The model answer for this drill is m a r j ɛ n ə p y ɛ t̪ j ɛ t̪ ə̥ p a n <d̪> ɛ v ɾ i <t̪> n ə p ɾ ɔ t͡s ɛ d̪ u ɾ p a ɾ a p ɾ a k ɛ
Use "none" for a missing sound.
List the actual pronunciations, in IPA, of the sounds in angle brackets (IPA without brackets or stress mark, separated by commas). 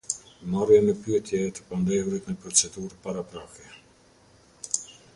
d̪, t̪